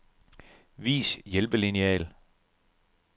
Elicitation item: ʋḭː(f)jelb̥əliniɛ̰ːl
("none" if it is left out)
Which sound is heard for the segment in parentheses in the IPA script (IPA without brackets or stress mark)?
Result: s